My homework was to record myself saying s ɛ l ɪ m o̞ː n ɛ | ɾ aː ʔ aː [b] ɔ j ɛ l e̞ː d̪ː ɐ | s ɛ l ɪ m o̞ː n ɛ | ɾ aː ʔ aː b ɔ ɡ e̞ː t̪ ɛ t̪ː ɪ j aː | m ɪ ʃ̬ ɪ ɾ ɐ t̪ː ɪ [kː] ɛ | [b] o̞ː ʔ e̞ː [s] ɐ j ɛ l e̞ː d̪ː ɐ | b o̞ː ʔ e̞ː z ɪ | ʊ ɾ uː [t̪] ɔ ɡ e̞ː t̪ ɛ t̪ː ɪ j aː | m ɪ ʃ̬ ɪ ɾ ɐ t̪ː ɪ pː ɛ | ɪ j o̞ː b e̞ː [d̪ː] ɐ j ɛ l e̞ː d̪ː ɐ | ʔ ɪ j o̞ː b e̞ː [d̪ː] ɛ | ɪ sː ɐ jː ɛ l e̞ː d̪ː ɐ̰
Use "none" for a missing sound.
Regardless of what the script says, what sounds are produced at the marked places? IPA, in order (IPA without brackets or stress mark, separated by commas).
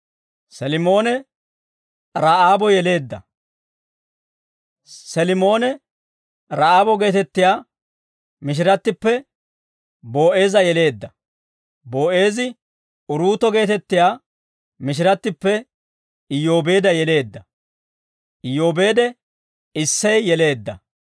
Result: b, pː, b, z, t̪, d̪, d̪